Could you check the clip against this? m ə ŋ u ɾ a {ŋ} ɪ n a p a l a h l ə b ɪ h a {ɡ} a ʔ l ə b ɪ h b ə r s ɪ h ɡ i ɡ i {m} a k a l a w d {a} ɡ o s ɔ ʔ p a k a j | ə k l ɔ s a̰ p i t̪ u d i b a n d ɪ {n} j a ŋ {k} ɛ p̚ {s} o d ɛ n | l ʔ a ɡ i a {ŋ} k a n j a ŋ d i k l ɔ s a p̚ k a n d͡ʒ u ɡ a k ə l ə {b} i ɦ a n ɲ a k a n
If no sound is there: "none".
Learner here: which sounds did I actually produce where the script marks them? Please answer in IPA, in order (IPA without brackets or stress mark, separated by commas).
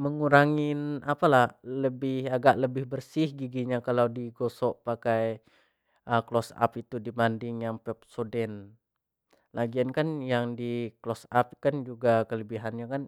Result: ŋ, ɡ, ɲ, i, ŋ, p, s, n, b